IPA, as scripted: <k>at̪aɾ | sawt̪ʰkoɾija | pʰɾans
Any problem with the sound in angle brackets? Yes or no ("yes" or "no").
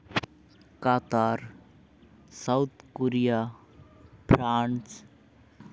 no